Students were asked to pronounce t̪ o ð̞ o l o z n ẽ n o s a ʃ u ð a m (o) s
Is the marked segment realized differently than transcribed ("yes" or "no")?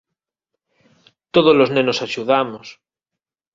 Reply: no